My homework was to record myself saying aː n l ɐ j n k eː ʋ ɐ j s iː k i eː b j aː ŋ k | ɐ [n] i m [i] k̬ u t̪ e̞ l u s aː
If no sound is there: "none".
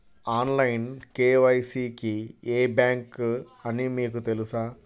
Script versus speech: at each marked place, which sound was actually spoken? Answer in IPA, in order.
n, iː

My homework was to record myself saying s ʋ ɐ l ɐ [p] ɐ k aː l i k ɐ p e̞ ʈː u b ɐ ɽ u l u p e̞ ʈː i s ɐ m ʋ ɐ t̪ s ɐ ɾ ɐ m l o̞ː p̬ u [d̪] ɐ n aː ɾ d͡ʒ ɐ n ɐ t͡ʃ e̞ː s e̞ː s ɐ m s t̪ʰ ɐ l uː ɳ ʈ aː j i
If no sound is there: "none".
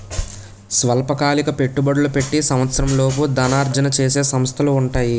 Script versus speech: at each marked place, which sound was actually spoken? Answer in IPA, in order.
p, d̪

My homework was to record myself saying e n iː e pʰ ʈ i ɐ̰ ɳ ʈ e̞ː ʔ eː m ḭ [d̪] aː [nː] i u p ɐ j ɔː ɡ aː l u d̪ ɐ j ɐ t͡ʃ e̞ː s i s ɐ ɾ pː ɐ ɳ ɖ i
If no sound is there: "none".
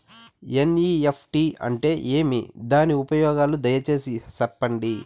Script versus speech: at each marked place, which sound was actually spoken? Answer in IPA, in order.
d̪, n

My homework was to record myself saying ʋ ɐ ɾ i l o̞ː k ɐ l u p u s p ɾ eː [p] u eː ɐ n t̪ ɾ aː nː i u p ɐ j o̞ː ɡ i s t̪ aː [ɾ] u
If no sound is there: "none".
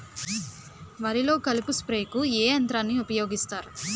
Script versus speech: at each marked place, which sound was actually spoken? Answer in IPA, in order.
k, ɾ

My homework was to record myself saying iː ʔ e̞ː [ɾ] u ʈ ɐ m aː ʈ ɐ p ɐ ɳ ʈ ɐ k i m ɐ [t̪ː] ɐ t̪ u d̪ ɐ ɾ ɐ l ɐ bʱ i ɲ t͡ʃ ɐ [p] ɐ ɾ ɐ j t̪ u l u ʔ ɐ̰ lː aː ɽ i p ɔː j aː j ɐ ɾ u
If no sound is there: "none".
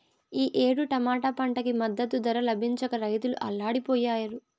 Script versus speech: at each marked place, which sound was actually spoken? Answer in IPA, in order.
ɽ, d̪ː, k

